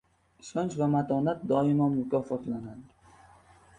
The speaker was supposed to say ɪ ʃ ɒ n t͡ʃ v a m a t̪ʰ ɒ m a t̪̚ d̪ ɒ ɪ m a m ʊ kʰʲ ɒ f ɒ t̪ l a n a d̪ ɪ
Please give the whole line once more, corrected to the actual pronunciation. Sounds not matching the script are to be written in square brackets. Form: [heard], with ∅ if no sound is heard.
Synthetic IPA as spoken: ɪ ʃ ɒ n t͡ʃ v a m a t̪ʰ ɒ [n] a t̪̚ d̪ ɒ ɪ m a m ʊ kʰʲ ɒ f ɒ t̪ l a n a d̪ ɪ